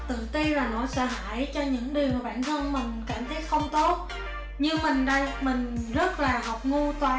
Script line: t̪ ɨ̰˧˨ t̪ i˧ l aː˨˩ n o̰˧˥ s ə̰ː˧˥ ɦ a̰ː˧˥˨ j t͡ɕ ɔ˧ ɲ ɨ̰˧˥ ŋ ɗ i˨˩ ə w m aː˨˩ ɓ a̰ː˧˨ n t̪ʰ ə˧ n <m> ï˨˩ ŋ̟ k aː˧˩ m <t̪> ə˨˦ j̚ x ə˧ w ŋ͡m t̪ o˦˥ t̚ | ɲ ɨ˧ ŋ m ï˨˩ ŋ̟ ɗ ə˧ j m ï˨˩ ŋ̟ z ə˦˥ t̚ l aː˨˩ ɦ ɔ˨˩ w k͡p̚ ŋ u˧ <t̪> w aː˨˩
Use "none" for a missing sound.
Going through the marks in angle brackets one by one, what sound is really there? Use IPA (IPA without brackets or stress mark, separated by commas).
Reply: m, t̪ʰ, t̪